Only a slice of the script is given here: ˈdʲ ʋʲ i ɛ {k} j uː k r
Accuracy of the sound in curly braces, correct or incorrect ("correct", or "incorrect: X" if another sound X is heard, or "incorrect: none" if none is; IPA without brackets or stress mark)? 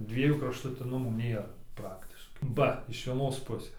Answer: incorrect: none